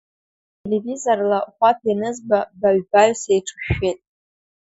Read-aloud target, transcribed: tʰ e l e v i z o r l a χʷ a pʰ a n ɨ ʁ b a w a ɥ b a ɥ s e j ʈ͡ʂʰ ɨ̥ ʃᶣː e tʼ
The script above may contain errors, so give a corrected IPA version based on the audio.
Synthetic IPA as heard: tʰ e l e v i z o r l a χʷ a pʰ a n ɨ z b a b a ɥ b a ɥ s e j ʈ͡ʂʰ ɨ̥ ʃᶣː e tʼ